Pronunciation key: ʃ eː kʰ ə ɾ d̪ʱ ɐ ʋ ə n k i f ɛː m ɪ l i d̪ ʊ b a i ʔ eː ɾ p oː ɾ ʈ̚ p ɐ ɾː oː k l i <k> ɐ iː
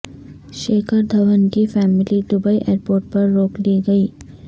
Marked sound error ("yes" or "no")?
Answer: yes